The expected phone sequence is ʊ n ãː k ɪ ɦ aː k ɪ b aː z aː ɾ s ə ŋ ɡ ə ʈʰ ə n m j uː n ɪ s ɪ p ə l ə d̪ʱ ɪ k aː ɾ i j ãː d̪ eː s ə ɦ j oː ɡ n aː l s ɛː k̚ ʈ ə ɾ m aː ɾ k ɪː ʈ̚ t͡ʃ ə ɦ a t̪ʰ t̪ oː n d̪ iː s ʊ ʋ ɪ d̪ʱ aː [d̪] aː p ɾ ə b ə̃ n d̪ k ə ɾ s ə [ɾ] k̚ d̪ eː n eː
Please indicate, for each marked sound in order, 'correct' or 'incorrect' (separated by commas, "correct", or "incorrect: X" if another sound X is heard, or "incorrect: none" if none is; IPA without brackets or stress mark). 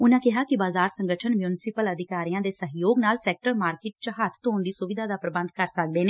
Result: correct, incorrect: none